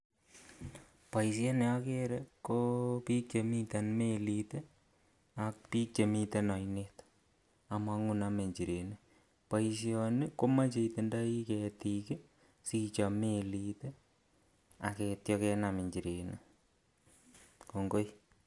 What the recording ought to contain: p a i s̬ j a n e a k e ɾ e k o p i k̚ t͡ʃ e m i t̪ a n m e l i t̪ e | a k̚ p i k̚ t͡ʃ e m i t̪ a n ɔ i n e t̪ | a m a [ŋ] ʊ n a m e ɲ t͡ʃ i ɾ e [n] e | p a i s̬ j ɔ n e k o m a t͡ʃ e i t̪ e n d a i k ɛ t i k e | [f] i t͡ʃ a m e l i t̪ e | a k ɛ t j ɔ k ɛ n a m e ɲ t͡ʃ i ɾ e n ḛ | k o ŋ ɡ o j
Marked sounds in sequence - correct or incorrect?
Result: correct, correct, incorrect: s

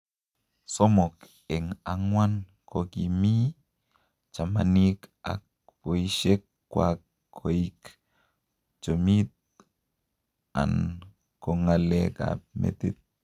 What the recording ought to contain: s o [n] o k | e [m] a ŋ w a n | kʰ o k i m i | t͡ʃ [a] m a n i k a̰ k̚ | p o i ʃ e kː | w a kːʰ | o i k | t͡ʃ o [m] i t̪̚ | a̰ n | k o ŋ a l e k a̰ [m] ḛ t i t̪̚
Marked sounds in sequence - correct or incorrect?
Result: incorrect: m, incorrect: ŋ, correct, correct, correct

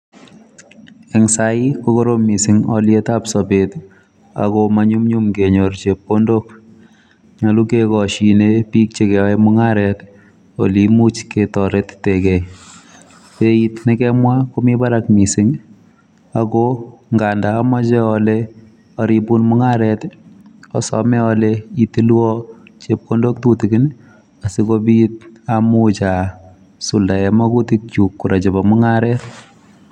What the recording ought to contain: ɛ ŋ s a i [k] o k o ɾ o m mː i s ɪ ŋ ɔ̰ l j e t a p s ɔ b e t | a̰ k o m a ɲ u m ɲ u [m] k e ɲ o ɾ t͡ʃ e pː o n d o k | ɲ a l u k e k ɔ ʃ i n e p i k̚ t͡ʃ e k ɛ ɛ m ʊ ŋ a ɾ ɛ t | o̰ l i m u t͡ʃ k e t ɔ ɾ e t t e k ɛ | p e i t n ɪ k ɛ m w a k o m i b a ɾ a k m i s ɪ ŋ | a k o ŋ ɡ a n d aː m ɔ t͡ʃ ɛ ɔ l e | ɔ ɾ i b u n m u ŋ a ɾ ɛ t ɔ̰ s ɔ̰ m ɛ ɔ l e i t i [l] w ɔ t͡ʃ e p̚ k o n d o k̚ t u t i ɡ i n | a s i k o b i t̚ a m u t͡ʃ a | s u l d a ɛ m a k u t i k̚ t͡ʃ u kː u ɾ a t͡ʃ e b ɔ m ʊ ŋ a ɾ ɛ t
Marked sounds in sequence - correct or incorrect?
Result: correct, correct, correct

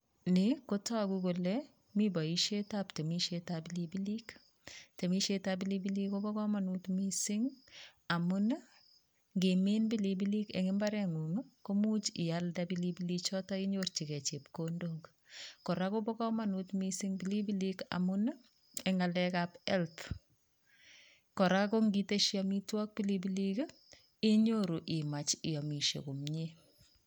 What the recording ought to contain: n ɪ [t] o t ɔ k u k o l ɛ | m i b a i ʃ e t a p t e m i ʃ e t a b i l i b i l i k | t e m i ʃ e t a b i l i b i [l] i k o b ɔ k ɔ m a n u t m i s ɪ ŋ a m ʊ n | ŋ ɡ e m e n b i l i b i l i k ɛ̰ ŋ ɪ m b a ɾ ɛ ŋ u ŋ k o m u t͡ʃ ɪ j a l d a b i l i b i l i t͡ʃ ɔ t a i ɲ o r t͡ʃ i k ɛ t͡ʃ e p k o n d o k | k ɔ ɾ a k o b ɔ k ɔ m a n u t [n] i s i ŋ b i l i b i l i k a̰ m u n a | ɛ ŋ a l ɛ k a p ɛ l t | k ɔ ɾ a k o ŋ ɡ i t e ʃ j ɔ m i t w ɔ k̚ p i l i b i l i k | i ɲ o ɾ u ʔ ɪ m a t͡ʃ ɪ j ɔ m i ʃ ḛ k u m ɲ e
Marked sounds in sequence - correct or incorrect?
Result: incorrect: k, correct, incorrect: m

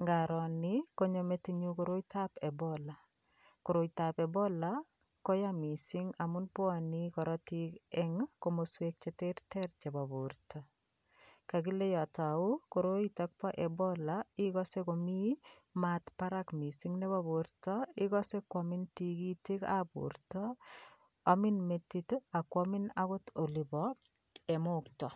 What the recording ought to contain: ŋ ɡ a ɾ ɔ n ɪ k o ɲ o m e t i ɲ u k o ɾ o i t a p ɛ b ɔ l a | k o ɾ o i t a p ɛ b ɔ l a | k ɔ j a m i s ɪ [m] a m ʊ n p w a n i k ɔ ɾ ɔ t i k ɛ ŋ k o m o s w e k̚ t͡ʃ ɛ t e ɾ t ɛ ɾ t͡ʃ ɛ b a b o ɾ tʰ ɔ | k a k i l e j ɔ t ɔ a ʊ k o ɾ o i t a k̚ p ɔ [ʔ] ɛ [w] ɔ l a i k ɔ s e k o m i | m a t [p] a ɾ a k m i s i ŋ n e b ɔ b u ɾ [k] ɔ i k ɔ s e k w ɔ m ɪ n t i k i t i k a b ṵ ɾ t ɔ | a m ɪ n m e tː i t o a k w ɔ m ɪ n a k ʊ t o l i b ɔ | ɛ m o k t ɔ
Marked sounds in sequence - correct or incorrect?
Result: incorrect: ŋ, correct, incorrect: b, correct, incorrect: t

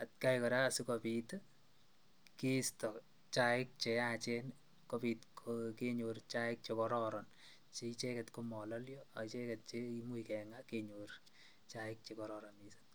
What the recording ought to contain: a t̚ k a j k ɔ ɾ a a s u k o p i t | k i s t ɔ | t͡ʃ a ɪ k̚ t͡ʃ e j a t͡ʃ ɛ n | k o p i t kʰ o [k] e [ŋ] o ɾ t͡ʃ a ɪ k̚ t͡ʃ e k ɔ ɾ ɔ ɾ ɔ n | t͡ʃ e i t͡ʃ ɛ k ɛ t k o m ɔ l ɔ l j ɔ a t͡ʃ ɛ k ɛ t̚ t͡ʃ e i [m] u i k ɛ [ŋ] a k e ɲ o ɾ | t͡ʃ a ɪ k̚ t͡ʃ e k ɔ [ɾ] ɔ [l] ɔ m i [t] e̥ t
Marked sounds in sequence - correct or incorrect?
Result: correct, incorrect: ɲ, correct, correct, correct, incorrect: ɾ, incorrect: s

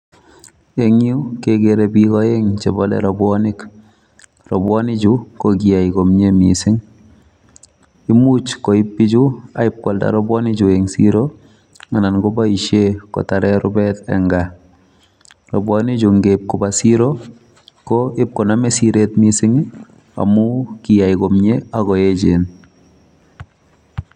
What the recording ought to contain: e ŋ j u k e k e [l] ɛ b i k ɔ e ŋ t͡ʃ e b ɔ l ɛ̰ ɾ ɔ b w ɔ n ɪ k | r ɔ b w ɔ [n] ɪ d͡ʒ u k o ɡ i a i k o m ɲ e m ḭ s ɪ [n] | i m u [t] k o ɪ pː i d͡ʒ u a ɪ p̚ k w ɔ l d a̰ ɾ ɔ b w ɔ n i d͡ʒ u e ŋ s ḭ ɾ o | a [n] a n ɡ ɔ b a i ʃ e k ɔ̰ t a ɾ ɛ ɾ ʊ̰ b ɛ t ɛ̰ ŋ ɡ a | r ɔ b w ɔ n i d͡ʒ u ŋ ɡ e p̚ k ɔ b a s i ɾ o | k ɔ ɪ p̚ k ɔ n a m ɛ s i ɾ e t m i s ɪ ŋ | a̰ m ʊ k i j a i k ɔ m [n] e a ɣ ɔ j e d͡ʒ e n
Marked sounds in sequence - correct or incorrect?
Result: incorrect: ɾ, correct, incorrect: ŋ, incorrect: t͡ʃ, correct, incorrect: ɲ

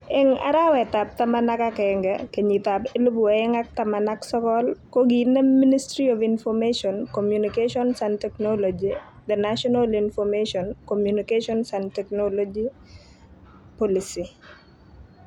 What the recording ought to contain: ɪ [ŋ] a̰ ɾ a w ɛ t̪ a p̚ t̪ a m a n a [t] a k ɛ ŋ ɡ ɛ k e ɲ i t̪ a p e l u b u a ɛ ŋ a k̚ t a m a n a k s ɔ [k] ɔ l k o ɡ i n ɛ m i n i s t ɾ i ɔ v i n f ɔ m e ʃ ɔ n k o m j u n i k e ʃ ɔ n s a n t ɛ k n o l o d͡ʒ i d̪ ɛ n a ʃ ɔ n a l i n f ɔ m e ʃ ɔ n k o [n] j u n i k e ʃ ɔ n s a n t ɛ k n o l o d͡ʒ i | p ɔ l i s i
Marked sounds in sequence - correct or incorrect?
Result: correct, incorrect: k, correct, incorrect: m

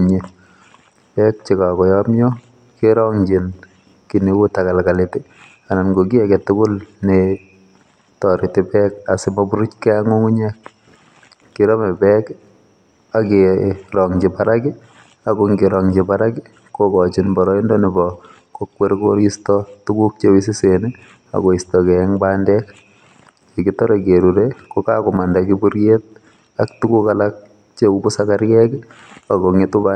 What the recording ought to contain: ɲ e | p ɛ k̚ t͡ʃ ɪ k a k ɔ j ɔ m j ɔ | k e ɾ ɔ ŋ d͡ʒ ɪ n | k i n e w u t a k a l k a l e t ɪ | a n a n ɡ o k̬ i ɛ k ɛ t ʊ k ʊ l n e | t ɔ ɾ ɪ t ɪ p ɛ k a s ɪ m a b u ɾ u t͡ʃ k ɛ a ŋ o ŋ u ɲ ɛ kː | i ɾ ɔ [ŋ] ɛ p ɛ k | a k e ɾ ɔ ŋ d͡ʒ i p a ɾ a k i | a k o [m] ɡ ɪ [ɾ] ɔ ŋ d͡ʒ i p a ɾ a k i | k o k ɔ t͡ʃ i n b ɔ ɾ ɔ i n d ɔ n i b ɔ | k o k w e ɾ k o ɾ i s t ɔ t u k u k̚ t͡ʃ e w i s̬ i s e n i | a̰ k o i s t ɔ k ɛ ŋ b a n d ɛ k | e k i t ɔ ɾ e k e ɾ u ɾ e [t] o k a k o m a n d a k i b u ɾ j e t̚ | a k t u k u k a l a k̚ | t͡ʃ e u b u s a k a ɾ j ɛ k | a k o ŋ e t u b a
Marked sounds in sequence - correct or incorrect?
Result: incorrect: m, incorrect: ŋ, correct, incorrect: k

